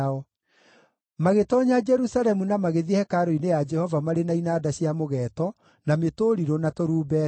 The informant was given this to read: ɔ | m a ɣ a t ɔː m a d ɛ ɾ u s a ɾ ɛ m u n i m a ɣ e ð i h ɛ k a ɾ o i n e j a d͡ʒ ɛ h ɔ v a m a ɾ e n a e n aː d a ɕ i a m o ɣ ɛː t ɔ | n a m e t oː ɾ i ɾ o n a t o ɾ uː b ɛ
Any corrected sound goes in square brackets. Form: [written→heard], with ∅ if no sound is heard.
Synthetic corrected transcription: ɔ | m a ɣ [a→e] t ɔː [m→ɲ] a [d→d͡ʒ] ɛ ɾ u s a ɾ ɛ m u n [i→a] m a ɣ e ð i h ɛ k a ɾ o i n e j a d͡ʒ ɛ h ɔ v a m a ɾ e n a [e→i] n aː d a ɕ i a m o ɣ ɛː t ɔ | n a m e t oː ɾ i ɾ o n a t o ɾ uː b ɛ